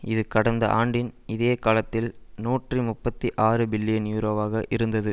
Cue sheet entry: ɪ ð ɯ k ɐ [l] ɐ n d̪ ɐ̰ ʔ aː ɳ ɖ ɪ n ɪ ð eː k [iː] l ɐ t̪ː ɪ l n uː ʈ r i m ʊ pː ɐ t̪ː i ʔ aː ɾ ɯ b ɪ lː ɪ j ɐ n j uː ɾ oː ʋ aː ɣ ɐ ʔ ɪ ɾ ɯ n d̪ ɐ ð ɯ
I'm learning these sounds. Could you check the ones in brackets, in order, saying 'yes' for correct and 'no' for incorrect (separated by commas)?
no, no